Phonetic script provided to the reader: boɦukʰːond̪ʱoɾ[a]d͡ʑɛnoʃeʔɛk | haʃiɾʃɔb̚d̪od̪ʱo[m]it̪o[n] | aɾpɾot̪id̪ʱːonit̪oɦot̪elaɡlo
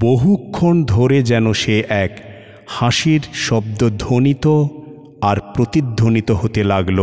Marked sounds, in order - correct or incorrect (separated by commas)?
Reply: incorrect, incorrect, incorrect